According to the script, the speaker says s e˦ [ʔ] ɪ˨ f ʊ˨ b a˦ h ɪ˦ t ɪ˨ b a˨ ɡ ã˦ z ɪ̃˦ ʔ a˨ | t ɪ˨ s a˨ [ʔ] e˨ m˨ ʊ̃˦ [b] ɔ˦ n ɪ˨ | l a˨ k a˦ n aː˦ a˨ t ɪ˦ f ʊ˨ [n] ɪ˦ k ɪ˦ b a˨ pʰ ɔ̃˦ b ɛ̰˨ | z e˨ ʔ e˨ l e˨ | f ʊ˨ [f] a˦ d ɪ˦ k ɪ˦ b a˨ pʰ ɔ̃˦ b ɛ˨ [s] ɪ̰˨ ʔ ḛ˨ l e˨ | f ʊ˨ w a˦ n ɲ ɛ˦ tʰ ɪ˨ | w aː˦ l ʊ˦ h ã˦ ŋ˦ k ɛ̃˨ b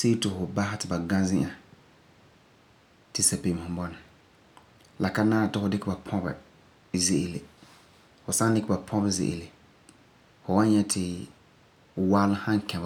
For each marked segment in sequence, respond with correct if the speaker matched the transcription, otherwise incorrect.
incorrect, incorrect, correct, incorrect, incorrect, incorrect

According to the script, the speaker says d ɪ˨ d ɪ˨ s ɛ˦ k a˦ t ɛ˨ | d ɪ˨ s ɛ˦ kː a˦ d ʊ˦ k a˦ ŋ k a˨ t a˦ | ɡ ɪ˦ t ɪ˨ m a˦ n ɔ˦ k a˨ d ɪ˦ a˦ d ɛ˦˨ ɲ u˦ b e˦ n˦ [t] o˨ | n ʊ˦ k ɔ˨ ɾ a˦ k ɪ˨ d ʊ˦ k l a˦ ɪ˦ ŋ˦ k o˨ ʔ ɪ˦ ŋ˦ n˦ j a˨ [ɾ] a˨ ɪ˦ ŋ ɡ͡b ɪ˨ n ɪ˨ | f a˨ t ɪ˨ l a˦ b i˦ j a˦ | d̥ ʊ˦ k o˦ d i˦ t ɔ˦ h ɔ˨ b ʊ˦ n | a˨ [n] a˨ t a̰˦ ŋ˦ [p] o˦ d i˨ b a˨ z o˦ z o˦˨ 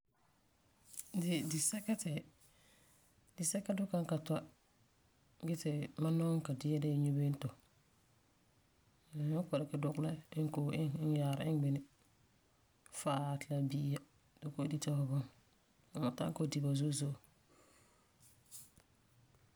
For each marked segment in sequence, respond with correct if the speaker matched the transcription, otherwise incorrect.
correct, correct, incorrect, incorrect

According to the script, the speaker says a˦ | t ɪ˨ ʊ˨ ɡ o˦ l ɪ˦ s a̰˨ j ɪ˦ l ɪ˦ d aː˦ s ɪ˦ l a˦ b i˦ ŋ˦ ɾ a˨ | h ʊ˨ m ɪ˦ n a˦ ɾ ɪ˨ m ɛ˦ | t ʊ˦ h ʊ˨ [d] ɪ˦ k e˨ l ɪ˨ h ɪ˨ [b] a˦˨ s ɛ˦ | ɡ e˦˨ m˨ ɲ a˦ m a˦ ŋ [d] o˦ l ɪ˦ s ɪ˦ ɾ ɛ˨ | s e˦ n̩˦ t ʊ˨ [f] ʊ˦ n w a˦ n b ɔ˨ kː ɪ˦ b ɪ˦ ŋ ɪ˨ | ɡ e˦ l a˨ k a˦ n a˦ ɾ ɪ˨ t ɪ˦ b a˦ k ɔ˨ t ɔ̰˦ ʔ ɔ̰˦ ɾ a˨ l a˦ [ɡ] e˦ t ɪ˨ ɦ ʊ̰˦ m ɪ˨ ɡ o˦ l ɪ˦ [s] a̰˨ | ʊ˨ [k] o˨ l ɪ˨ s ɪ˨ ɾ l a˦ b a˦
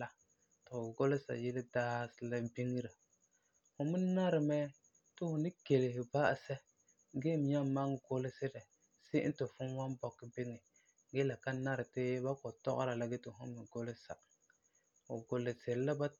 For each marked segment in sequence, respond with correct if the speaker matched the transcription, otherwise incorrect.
incorrect, correct, incorrect, correct, correct, correct, incorrect

